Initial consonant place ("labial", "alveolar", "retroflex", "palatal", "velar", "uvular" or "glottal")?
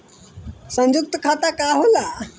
alveolar